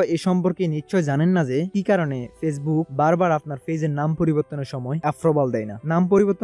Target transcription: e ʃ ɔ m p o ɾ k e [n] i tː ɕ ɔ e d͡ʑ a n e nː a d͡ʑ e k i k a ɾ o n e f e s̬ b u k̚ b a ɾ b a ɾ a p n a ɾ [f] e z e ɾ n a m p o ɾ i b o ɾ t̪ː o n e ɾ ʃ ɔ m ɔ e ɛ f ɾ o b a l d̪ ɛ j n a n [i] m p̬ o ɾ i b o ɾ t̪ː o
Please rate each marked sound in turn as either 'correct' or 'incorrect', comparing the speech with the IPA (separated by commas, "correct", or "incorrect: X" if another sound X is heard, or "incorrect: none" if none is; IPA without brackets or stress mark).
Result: correct, correct, incorrect: a